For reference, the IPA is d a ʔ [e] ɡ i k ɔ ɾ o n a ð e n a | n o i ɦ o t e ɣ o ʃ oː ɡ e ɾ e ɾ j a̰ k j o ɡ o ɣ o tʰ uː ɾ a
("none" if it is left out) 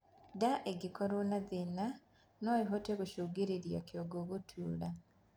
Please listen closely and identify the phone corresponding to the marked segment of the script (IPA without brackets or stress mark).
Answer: e